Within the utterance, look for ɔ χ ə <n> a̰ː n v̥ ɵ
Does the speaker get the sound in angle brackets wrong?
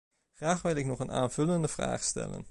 no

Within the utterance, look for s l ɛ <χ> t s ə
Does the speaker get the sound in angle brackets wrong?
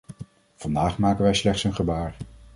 no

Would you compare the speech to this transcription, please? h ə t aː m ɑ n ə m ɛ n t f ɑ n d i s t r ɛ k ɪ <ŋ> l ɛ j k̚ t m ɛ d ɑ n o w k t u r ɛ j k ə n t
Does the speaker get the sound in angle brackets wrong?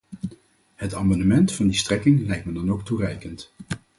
no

